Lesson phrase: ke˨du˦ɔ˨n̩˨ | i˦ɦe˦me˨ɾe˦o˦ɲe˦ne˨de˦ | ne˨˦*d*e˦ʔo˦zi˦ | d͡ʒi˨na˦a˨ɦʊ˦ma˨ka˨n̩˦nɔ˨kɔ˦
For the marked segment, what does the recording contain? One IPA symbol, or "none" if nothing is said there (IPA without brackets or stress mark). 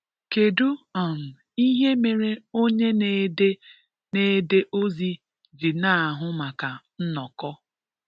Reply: d